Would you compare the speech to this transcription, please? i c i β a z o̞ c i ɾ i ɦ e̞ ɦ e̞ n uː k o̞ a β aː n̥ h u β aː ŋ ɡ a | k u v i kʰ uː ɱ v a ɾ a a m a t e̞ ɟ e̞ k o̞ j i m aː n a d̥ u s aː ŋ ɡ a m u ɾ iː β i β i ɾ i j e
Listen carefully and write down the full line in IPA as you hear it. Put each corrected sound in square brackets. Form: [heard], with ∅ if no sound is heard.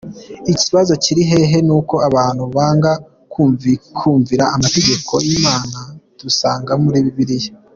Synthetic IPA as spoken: i c i β a z o̞ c i ɾ i ɦ e̞ ɦ e̞ n uː k o̞ a β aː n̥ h u β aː ŋ ɡ a | k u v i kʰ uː ɱ v [i] ɾ a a m a t e̞ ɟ e̞ k o̞ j i m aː n a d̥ u s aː ŋ ɡ a m u ɾ iː β i β i ɾ i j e